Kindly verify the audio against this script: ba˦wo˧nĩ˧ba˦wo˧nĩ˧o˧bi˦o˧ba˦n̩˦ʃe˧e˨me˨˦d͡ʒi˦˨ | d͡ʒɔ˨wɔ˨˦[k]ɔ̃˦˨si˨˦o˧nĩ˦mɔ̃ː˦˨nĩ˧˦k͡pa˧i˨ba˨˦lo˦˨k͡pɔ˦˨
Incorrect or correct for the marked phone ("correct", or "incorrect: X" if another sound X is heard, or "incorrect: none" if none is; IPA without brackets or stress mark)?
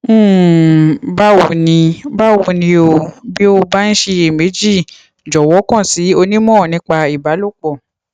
correct